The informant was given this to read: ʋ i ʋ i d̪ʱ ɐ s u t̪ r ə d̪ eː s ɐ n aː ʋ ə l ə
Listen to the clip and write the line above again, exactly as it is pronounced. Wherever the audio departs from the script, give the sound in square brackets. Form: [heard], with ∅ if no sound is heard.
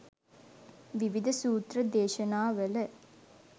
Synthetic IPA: ʋ i ʋ i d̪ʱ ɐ s [uː] t̪ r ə d̪ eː [ʃ] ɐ n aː ʋ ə l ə